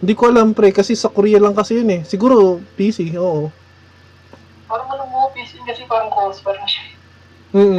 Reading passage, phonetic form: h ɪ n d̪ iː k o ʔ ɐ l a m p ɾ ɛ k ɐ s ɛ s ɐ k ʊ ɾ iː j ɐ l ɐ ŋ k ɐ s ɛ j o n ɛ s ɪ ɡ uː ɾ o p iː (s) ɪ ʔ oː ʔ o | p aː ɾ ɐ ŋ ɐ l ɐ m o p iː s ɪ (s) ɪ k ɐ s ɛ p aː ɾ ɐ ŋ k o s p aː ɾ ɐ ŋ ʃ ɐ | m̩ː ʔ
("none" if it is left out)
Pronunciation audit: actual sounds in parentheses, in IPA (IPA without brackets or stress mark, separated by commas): s, none